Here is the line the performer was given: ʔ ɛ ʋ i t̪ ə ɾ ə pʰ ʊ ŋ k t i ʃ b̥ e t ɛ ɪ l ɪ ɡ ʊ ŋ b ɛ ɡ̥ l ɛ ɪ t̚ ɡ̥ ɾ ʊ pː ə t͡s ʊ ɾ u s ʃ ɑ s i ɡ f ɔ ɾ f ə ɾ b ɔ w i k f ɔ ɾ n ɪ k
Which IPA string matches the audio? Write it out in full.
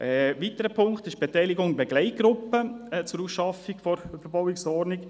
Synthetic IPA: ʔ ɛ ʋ i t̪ ə ɾ ə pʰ ʊ ŋ k t ɪ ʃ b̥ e t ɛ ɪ l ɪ ɡ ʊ ŋ b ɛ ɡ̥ l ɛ ɪ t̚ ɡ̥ ɾ ʊ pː ə t͡s ʊ ɾ u s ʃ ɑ f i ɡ f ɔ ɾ f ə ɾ b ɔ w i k s ɔ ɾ n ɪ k